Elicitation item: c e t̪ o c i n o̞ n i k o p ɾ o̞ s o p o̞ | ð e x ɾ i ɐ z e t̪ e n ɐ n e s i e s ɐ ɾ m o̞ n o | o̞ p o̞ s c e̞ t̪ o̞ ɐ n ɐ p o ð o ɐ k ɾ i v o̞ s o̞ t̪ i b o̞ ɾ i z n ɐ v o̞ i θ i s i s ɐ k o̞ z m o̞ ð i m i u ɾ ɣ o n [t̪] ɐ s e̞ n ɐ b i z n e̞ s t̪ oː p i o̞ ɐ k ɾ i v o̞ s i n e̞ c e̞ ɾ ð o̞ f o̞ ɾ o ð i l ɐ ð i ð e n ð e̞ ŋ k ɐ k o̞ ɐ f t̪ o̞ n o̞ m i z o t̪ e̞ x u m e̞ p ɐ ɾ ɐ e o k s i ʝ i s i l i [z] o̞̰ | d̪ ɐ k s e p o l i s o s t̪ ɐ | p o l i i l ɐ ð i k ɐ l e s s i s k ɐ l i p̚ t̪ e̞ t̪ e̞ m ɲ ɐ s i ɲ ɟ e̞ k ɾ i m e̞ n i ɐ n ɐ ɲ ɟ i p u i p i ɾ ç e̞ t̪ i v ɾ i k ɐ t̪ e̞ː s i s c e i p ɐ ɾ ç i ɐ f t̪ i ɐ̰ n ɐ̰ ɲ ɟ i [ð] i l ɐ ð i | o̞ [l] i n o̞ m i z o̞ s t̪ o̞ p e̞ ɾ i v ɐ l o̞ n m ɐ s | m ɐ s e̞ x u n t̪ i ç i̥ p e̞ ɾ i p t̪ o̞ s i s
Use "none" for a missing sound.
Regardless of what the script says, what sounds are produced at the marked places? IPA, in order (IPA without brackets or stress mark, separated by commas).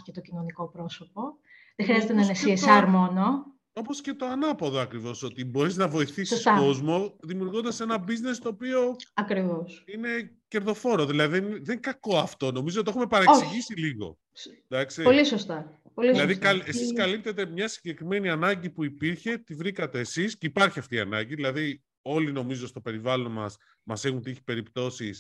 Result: d̪, ɣ, ð, l